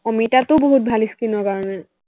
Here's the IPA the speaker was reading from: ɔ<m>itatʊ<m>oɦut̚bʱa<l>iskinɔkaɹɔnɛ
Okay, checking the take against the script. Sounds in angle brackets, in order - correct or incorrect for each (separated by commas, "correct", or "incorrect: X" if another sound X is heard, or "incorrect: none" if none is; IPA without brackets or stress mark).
correct, incorrect: b, correct